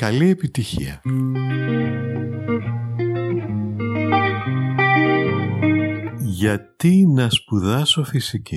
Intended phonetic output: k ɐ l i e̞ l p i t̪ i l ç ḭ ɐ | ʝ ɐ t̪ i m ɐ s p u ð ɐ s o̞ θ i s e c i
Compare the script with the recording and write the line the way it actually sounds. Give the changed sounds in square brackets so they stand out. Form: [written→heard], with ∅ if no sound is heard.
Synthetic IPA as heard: k ɐ l i e̞ [l→∅] p i t̪ i [l→∅] ç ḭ ɐ | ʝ ɐ t̪ i [m→n] ɐ s p u ð ɐ s o̞ [θ→f] i s [e→i] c i